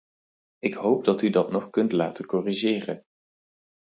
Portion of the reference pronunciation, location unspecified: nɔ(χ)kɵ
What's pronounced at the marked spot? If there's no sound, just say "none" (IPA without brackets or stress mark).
χ